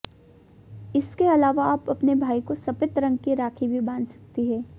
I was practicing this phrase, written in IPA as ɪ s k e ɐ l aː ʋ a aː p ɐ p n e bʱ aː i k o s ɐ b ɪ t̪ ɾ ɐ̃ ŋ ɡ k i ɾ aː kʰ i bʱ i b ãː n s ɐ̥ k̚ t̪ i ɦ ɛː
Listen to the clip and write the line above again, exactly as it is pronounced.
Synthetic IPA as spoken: ɪ s k e ɐ l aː ʋ a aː p ɐ p n e bʱ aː i k o s ɐ p ɪ t̪ ɾ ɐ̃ ŋ ɡ k i ɾ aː kʰ i bʱ i b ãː n s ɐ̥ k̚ t̪ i ɦ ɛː